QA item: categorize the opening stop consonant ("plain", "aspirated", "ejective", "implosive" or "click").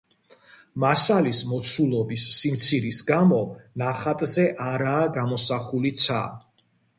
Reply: plain